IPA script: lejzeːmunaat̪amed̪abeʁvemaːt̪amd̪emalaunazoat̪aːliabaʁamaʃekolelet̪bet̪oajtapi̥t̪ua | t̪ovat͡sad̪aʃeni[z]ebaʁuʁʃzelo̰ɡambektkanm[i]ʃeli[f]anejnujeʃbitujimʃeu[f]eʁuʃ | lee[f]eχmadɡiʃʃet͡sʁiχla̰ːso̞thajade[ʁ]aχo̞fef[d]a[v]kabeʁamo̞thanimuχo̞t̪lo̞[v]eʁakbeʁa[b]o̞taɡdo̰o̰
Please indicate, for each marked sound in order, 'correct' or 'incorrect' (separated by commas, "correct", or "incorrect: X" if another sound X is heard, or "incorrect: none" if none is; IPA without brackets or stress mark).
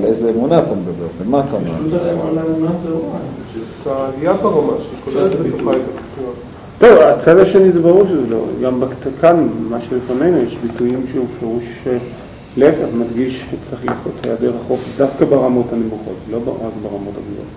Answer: correct, incorrect: a, correct, correct, correct, correct, correct, incorrect: f, incorrect: b, incorrect: m